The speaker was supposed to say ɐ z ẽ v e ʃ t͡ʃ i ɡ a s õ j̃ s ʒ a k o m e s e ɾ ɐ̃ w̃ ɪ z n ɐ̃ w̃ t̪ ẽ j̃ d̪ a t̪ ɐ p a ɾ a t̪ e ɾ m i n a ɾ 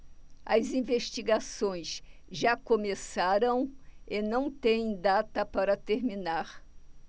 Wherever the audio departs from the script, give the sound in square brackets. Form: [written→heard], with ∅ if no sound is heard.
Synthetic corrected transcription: ɐ z [ẽ→ĩ] v e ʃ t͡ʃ i ɡ a s õ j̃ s ʒ a k o m e s [e→a] ɾ ɐ̃ w̃ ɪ [z→∅] n ɐ̃ w̃ t̪ ẽ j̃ d̪ a t̪ ɐ p a ɾ [a→ɐ] t̪ e ɾ m i n a ɾ